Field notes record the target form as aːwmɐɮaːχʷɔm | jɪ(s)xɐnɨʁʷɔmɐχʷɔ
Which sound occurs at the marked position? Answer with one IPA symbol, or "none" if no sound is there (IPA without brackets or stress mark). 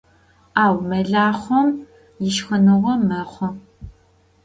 ʃ